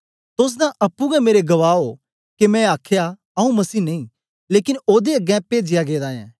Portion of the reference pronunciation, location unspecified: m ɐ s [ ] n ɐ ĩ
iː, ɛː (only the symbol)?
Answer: iː